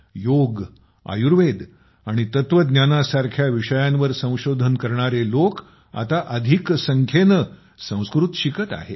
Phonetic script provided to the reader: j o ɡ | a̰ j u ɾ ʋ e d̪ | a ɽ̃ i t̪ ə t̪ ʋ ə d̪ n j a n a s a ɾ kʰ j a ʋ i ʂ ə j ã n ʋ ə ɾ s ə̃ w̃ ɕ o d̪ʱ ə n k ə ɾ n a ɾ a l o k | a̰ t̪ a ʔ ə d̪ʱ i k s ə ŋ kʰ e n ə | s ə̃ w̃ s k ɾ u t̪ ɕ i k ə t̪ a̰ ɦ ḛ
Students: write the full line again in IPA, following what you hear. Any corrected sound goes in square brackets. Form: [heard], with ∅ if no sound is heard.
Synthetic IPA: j o ɡ | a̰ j u ɾ ʋ e d̪ | a ɽ̃ i t̪ ə t̪ ʋ ə d̪ n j a n a s a ɾ kʰ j a ʋ i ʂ ə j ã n ʋ ə ɾ s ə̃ w̃ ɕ o d̪ʱ ə n k ə ɾ [ɳ] a ɾ [e] l o k | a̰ t̪ a ʔ ə d̪ʱ i k s ə ŋ kʰ e n ə | s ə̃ w̃ s k ɾ u t̪ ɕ i k ə t̪ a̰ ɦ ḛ